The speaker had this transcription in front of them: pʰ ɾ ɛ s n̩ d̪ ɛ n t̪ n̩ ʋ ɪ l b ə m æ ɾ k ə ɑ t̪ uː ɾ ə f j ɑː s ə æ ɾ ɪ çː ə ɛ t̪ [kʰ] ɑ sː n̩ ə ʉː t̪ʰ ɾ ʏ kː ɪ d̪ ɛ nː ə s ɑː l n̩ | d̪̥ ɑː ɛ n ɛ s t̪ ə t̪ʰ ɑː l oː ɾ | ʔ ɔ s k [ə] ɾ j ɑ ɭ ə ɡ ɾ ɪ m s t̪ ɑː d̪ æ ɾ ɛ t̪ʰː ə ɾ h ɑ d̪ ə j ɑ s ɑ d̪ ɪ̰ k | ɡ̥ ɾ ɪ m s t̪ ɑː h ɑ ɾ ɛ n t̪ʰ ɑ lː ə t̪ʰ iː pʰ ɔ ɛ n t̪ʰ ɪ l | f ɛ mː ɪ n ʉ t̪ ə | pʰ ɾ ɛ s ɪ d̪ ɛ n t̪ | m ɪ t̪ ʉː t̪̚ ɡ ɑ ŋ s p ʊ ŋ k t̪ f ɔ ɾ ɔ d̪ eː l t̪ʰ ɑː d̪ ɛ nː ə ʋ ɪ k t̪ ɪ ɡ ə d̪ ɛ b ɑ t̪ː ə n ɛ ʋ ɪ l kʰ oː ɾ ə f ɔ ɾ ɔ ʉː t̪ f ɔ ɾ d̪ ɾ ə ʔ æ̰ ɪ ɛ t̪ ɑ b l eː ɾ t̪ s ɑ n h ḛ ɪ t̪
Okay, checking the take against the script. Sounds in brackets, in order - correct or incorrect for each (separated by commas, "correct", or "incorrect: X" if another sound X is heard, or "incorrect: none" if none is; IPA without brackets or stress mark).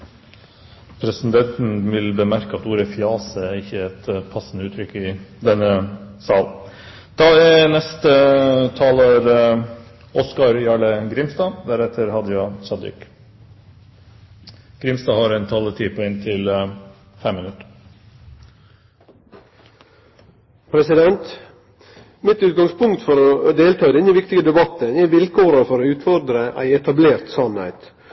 incorrect: pʰ, incorrect: ɑ